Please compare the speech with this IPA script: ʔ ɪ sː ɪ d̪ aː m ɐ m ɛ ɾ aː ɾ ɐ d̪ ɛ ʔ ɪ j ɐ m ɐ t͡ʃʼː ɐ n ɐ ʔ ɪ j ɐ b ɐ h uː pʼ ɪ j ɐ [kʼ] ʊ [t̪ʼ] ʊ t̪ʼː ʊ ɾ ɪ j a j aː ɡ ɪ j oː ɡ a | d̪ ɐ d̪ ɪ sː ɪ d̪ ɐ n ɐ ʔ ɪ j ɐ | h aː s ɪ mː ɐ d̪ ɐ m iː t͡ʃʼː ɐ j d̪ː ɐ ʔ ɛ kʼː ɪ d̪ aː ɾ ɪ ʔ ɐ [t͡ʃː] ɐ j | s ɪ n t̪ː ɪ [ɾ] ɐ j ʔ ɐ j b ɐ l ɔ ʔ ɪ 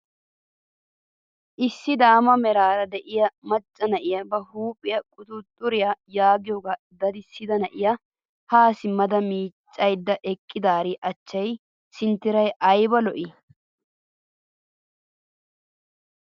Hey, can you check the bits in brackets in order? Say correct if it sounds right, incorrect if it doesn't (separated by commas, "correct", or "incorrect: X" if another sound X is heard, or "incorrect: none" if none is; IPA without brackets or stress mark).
correct, incorrect: t̪, correct, correct